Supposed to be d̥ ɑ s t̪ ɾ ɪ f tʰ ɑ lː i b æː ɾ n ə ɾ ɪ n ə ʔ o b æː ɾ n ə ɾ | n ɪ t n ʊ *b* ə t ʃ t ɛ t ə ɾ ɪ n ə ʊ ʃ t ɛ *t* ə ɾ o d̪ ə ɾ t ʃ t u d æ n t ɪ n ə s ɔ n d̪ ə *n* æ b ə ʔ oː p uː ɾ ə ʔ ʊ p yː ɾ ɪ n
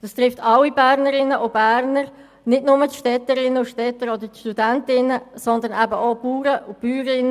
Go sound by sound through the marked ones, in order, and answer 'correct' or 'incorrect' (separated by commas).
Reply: incorrect, correct, correct